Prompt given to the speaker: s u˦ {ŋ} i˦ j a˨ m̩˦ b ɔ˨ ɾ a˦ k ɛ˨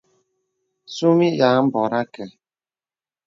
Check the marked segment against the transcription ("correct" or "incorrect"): incorrect